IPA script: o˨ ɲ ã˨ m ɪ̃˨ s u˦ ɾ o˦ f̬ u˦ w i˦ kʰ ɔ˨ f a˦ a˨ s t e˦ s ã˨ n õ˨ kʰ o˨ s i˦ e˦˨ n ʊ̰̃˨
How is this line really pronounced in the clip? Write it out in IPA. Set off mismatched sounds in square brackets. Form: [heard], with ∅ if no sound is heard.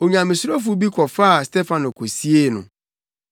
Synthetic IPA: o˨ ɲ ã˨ m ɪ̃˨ s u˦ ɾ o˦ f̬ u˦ [b] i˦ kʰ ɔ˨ f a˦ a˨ s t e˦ [f] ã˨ n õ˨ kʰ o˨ s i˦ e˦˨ n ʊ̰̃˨